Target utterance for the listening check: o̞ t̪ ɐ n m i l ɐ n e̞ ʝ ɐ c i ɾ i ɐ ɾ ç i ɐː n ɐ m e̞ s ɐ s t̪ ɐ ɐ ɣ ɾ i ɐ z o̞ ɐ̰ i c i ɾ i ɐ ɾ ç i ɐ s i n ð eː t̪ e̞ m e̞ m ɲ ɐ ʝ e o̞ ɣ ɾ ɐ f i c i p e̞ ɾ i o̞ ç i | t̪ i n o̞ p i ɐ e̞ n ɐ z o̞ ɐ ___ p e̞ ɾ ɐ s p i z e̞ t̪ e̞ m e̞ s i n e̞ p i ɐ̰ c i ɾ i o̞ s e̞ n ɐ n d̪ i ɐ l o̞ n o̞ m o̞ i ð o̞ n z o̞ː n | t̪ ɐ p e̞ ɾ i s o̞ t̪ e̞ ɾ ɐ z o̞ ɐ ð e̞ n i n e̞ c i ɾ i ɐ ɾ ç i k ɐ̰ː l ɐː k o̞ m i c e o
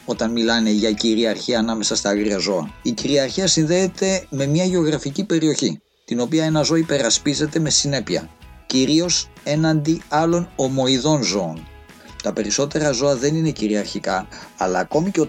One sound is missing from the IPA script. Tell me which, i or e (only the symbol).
i